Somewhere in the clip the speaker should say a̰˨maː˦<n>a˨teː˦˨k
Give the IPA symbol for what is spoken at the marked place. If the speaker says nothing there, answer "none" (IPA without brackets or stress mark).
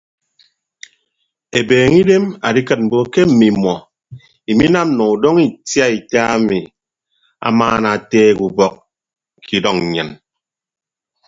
n